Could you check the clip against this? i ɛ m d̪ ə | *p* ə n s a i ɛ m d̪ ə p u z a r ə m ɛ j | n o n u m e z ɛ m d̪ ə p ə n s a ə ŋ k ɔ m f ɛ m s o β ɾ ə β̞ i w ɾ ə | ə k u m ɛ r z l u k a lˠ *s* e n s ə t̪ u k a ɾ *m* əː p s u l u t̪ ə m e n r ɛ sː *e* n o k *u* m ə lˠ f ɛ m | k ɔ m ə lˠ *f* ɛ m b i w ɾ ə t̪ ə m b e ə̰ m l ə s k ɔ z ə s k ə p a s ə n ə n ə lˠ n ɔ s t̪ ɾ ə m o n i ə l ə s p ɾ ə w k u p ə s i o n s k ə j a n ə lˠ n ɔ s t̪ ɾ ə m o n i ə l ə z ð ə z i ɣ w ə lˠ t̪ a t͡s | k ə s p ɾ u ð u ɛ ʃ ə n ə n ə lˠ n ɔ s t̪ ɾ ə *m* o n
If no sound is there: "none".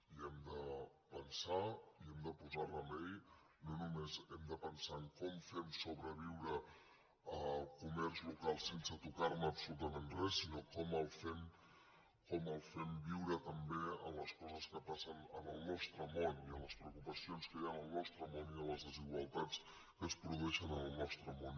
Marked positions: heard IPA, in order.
p, s, m, i, ɔ, f, m

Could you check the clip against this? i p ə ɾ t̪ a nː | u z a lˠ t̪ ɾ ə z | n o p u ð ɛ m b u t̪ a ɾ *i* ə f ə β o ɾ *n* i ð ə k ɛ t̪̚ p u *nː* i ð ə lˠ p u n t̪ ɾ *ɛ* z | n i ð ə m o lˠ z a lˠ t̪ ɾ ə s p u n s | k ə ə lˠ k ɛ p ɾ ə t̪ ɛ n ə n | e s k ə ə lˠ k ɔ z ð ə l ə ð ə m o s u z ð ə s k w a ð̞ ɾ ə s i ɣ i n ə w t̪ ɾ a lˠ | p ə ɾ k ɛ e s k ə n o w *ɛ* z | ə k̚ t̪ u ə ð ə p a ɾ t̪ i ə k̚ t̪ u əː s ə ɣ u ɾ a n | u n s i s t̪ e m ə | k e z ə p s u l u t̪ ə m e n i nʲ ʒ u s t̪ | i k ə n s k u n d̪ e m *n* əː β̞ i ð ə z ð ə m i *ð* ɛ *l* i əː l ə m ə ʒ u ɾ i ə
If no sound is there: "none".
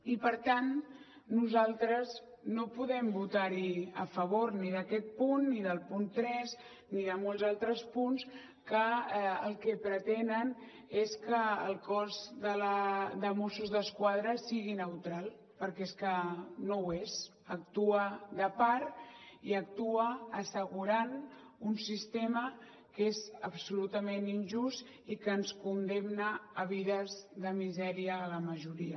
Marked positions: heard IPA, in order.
i, n, nː, ɛ, e, n, z, ɾ

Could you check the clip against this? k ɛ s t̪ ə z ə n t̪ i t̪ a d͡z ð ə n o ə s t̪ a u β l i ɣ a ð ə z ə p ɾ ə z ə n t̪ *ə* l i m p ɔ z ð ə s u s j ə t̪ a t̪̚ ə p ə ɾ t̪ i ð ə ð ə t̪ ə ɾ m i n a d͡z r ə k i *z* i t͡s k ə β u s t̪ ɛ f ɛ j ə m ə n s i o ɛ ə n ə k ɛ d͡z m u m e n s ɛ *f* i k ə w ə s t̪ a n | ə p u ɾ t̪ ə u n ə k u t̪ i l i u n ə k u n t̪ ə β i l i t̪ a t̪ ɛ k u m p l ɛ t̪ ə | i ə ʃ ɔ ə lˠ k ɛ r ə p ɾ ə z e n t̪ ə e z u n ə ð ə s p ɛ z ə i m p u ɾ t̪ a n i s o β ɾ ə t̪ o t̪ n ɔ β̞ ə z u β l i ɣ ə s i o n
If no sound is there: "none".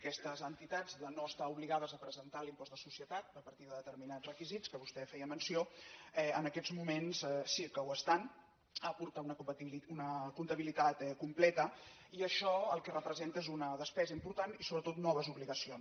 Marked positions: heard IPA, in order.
a, z, s

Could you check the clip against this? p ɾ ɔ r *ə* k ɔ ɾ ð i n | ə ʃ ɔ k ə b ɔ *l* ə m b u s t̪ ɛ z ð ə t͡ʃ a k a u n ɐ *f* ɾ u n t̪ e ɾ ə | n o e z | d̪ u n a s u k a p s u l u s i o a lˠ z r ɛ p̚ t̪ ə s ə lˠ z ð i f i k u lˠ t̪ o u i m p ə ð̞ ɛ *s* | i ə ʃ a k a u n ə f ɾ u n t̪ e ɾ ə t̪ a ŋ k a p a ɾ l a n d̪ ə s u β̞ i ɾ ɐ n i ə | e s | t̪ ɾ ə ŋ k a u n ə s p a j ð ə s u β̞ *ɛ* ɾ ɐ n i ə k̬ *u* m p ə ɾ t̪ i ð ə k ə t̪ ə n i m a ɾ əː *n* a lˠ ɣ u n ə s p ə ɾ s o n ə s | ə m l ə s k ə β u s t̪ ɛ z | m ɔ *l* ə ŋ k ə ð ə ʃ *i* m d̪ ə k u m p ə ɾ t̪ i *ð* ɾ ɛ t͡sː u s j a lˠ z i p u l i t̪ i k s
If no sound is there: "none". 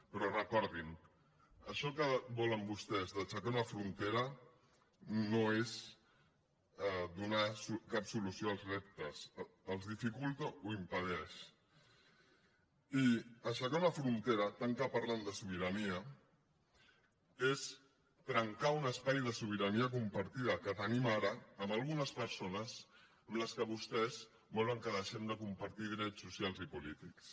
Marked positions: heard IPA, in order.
ə, l, f, ʃ, i, u, m, l, ɛ, ð

